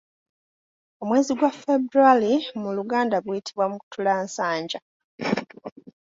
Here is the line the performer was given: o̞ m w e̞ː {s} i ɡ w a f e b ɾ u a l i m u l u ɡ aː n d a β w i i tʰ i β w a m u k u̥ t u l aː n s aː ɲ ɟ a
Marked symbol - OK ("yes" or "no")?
no